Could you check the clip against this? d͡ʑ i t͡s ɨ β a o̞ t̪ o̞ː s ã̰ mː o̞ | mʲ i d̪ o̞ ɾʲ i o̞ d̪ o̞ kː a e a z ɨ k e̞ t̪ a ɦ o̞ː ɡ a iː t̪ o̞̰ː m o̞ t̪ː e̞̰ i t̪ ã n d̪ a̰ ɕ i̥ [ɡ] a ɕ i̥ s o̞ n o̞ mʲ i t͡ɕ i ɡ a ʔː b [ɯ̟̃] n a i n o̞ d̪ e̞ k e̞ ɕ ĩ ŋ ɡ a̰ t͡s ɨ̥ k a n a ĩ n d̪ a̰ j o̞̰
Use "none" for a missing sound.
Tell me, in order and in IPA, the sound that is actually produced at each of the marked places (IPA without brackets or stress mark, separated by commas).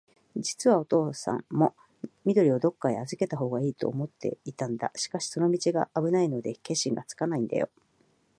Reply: k, ɯ̟